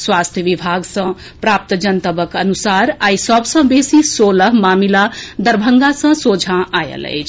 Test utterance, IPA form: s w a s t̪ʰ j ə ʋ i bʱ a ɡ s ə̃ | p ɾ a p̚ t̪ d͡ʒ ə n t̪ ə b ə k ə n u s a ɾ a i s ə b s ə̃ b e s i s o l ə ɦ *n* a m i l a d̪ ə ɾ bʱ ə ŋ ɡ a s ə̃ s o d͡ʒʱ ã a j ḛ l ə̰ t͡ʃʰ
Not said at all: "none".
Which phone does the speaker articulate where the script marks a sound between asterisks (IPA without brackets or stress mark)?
m